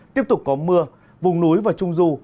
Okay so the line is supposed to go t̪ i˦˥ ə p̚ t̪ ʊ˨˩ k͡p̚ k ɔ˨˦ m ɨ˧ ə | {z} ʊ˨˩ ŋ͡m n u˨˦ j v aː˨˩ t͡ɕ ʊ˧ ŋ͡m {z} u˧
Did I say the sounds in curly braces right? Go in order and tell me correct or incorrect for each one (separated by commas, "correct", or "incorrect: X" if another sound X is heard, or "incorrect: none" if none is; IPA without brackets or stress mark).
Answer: incorrect: v, correct